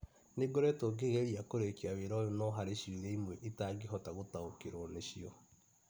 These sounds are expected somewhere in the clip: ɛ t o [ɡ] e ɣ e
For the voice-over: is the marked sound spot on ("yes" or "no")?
yes